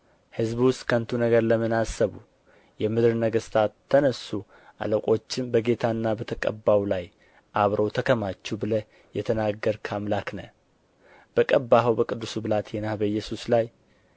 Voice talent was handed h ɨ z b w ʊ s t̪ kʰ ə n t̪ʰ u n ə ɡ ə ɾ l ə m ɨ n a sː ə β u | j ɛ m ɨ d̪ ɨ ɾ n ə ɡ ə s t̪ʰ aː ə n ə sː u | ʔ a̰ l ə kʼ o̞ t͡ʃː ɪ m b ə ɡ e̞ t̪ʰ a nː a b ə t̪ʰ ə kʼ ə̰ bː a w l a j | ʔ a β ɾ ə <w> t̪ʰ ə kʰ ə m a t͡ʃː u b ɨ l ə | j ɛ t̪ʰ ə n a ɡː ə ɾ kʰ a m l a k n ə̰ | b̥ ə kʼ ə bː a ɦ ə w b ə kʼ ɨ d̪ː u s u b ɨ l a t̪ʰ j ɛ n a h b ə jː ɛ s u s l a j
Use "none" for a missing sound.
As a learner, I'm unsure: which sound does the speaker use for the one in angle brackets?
w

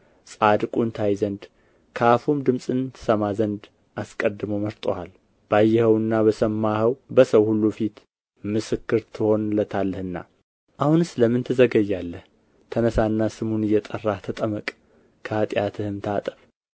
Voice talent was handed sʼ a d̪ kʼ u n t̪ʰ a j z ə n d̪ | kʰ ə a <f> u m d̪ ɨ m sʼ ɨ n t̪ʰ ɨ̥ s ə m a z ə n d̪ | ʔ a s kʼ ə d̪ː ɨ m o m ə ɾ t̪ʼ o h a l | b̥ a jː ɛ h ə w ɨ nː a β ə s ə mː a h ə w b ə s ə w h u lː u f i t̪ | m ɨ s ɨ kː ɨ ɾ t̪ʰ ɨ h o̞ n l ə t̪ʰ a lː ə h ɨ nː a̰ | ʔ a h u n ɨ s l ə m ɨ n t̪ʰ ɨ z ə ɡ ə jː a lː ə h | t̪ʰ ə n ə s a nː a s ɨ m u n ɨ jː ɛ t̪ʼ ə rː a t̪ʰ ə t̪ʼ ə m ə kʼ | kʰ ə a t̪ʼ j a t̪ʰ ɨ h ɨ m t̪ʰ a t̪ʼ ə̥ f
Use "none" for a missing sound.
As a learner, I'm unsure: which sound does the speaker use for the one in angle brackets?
f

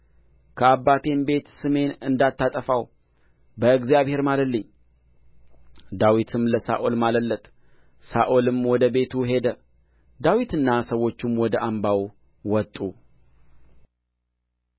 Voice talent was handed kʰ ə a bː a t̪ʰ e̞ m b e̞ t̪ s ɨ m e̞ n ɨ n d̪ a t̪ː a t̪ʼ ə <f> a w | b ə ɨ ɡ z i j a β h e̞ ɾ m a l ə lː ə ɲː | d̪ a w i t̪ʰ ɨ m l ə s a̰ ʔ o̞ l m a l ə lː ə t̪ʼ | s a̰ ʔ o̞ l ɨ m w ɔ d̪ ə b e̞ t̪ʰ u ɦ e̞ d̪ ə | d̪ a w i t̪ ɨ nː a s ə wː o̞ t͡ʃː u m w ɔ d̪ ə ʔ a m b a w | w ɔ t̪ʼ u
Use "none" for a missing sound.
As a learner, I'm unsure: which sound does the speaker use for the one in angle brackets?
f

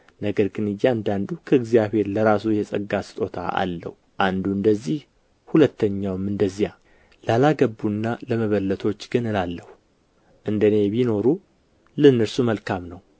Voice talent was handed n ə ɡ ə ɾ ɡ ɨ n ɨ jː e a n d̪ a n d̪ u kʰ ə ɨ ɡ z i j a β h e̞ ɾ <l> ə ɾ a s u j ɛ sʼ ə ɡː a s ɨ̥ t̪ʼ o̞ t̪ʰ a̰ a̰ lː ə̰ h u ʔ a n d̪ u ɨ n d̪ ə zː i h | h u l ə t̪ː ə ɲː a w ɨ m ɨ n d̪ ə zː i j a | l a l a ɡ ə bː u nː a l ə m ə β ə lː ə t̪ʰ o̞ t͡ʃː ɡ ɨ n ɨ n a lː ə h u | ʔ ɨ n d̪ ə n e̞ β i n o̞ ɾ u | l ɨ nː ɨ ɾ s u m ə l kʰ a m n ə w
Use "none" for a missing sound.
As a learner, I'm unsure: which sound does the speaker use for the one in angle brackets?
l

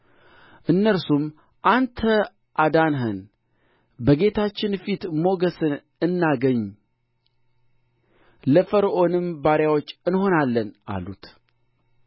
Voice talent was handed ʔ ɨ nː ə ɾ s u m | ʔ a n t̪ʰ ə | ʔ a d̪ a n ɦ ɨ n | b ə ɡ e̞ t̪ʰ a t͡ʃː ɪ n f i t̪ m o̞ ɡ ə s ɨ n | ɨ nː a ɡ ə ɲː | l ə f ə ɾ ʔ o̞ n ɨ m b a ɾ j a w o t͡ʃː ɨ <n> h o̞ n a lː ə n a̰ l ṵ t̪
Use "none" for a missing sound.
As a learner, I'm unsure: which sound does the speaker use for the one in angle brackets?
n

